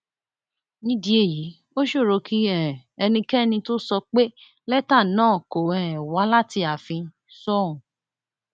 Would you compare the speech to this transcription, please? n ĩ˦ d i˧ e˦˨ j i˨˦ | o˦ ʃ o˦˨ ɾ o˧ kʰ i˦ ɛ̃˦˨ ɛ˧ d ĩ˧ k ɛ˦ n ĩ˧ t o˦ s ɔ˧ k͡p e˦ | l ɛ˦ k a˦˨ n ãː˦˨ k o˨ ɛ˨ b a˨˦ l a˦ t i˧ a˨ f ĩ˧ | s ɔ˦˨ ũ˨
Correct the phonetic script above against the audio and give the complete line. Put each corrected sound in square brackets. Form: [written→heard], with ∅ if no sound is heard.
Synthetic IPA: n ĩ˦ d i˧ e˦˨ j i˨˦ | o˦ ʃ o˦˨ ɾ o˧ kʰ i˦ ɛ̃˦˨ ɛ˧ [d→n] ĩ˧ k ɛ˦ n ĩ˧ t o˦ s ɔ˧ k͡p e˦ | l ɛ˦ [k→t] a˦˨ n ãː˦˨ k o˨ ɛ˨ [b→w] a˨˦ l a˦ t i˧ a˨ f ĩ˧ | s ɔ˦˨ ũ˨